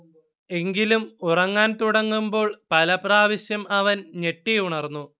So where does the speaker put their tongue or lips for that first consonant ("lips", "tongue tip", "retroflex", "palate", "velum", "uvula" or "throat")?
velum